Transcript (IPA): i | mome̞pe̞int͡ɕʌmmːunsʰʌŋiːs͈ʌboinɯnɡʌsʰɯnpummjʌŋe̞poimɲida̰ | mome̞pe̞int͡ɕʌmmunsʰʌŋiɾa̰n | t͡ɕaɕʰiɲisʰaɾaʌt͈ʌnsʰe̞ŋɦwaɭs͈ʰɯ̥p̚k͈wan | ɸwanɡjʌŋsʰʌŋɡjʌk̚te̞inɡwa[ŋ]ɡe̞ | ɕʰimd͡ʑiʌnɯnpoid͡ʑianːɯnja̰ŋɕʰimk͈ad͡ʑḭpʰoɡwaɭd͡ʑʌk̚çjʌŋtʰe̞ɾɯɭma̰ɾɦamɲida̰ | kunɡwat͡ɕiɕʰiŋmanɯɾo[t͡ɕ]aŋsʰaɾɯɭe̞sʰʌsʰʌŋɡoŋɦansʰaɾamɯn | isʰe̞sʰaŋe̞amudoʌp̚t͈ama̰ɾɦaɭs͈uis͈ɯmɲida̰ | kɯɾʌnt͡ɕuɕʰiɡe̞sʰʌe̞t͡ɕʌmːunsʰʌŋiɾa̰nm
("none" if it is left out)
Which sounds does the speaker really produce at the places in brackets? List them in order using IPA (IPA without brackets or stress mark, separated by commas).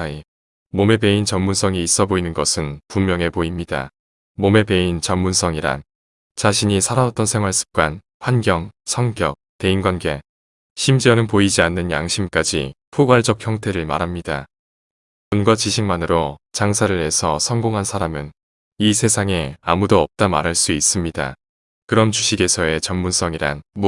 n, t͡ɕ